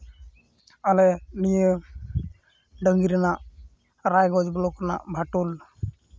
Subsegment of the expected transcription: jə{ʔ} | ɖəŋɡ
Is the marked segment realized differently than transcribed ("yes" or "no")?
yes